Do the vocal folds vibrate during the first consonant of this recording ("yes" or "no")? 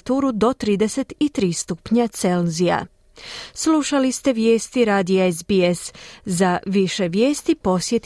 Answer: no